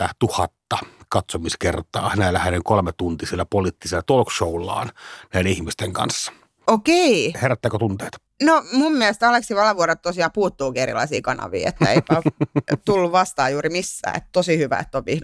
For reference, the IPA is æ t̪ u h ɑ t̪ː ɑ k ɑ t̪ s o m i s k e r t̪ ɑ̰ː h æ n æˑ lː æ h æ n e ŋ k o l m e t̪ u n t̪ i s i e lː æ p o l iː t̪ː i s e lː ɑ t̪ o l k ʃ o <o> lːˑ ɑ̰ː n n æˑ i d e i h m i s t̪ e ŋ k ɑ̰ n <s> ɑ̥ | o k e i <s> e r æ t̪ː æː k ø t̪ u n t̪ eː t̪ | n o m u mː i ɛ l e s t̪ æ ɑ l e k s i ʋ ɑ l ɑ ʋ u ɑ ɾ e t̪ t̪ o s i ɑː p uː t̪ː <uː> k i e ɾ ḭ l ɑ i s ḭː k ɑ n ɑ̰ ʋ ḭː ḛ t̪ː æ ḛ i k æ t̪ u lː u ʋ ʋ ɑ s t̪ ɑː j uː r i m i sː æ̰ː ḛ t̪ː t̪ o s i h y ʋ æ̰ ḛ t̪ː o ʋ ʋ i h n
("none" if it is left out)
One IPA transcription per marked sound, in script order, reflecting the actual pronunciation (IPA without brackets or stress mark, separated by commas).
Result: u, sː, h, uː